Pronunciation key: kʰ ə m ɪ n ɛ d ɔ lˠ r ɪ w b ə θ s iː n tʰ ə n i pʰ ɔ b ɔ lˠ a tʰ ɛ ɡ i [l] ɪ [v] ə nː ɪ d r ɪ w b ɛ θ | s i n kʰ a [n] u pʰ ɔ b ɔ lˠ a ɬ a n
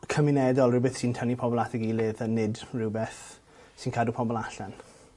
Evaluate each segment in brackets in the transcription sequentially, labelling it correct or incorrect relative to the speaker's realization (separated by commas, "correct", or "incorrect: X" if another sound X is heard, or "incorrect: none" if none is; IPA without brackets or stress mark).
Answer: correct, incorrect: ð, incorrect: d